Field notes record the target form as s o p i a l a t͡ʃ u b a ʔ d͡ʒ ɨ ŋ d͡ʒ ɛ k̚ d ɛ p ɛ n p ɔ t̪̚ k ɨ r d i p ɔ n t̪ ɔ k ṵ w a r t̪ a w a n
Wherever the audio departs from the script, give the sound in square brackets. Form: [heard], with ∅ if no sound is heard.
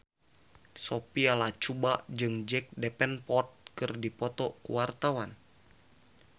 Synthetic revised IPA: s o p i a l a t͡ʃ u b a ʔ d͡ʒ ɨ ŋ d͡ʒ ɛ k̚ d ɛ p ɛ n p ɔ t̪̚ k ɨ r d i p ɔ [∅] t̪ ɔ k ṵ w a r t̪ a w a n